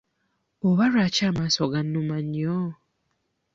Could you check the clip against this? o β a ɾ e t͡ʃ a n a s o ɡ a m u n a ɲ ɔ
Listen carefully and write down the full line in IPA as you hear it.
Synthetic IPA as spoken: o β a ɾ a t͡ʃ a m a s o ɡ a n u m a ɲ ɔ